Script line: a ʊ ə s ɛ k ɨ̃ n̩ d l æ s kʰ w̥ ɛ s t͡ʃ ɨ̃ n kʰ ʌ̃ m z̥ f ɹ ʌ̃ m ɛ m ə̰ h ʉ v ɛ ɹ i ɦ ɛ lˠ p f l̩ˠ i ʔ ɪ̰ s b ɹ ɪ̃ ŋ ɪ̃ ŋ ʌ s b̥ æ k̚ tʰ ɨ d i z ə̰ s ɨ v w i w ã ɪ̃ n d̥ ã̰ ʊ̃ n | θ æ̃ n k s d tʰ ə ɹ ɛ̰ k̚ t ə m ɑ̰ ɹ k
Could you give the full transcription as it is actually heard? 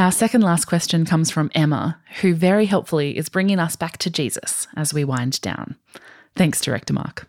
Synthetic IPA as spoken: a ʊ ə s ɛ k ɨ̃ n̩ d l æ s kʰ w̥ ɛ s t͡ʃ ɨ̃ n kʰ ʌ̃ m z̥ f ɹ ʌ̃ m ɛ m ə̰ h ʉ v ɛ ɹ i ɦ ɛ lˠ p f l̩ˠ i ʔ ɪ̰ z b ɹ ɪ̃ ŋ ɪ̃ ŋ ʌ s b̥ æ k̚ tʰ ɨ d͡ʒ i z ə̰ s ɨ z w i w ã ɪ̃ n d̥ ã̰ ʊ̃ n | θ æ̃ ŋ k s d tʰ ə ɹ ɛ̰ k̚ t ə m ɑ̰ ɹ k